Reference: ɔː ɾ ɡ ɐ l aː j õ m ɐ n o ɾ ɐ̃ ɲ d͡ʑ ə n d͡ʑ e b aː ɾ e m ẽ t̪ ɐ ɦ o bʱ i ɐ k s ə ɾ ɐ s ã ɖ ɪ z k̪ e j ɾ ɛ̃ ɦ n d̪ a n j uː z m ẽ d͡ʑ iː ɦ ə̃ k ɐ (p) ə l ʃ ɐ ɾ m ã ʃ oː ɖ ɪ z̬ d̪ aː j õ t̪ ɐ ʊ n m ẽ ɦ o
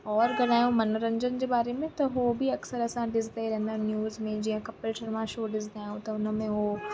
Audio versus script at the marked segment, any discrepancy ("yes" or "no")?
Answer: no